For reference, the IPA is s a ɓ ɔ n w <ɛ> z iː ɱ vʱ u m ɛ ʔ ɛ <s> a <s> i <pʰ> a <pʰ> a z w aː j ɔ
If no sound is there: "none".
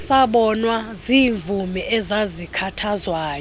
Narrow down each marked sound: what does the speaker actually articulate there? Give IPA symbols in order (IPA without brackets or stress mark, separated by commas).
a, z, z, kʰ, tʰ